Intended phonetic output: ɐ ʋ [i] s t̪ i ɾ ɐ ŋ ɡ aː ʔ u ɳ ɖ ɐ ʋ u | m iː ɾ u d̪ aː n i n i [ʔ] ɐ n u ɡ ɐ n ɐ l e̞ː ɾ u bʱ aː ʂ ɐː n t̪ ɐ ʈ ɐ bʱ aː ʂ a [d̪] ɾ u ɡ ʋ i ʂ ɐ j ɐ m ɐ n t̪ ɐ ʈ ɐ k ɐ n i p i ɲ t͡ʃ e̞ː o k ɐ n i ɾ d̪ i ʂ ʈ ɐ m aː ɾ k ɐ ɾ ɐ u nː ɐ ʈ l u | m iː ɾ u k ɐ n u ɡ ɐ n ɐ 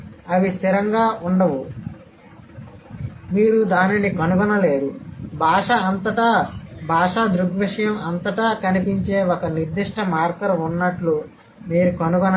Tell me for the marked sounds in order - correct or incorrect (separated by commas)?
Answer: correct, incorrect, correct